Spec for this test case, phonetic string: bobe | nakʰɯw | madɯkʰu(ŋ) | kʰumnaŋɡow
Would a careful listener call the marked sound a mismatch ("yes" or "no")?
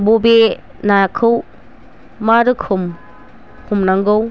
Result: yes